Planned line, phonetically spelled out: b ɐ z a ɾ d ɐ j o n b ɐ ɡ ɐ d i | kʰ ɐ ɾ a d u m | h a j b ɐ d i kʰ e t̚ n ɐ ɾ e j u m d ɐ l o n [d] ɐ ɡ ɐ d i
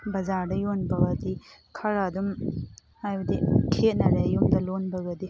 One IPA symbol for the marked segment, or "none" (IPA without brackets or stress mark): b